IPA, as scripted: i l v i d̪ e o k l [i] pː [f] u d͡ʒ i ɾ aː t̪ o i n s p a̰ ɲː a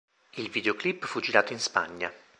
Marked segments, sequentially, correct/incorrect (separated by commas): correct, correct